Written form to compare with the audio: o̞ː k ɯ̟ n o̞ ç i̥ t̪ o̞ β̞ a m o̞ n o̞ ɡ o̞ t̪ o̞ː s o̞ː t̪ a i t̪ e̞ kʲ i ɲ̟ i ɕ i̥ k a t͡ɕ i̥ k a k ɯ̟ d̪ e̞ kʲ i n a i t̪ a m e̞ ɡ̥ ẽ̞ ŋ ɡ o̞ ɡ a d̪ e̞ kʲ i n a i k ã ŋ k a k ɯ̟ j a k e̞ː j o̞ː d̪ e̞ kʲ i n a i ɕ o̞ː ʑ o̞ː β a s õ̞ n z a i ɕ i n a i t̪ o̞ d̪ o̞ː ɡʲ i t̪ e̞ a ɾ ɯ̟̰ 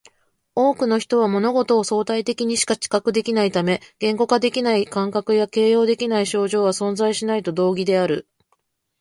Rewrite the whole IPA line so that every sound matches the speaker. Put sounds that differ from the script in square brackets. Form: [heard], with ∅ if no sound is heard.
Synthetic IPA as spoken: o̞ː k ɯ̟ n o̞ ç i̥ t̪ o̞ β̞ a m o̞ n o̞ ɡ o̞ t̪ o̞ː s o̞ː t̪ a i t̪ e̞ kʲ i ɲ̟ i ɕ i̥ k a t͡ɕ i̥ k a k ɯ̟ d̪ e̞ kʲ i n a i t̪ a m e̞ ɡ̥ ẽ̞ ŋ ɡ o̞ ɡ a d̪ e̞ kʲ i n a i k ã ŋ k a k ɯ̟ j a k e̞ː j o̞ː d̪ e̞ kʲ i n a i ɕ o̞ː ʑ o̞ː β a s õ̞ n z a i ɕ i n a i t̪ o̞ d̪ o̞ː ɡʲ i [d̪] e̞ a ɾ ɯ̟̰